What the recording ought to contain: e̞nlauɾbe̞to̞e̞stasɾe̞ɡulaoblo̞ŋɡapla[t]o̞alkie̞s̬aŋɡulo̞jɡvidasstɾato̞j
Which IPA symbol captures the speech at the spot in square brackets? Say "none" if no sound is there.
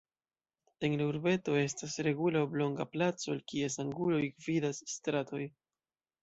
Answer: t͡s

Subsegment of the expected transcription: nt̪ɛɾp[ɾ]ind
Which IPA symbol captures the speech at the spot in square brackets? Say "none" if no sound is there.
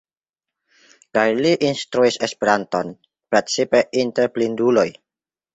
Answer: l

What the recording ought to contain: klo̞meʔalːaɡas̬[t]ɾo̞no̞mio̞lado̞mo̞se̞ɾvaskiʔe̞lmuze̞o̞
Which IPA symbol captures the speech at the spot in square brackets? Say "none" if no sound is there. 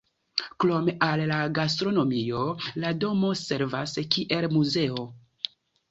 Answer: t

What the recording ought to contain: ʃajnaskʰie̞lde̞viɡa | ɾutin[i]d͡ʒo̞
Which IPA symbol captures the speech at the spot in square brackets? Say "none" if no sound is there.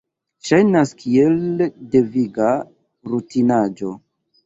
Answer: a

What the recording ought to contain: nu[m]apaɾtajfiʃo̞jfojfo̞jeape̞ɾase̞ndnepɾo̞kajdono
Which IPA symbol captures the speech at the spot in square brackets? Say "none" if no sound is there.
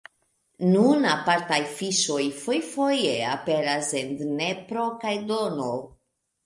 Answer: n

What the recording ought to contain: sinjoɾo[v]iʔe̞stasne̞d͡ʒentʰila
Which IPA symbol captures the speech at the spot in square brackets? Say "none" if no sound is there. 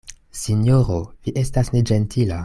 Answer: v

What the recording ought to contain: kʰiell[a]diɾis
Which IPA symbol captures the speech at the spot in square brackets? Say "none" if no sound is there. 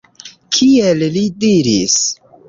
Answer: i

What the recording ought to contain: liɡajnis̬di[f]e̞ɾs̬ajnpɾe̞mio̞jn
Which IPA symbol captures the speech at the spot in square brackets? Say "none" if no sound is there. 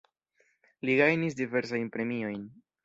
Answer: v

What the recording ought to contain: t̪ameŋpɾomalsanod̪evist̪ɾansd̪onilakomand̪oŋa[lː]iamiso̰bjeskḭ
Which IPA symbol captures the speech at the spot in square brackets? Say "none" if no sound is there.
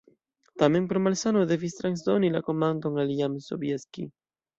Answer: l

